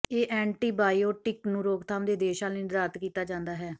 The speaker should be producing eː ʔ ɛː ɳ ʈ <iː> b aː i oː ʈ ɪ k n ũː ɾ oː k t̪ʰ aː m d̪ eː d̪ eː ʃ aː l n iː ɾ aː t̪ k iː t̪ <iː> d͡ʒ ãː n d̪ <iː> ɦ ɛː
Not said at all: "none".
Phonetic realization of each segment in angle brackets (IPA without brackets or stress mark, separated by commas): iː, aː, aː